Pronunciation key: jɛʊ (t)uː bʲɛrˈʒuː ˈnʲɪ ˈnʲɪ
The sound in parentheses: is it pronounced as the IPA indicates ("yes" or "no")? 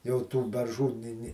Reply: yes